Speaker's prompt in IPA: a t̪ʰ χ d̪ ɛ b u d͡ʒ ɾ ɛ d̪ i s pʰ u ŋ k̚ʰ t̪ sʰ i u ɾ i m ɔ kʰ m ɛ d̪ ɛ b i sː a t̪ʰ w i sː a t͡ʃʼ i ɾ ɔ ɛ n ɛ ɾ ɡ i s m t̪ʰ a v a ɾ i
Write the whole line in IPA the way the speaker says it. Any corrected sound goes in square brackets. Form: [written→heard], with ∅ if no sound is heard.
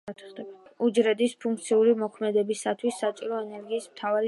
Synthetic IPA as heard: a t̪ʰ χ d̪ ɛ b u d͡ʒ ɾ ɛ d̪ i s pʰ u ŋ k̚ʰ t̪ sʰ i u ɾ i m ɔ kʰ m ɛ d̪ ɛ b i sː a t̪ʰ w i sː a t͡ʃʼ i ɾ ɔ ɛ n ɛ ɾ ɡ [i→iː] s m t̪ʰ a v a ɾ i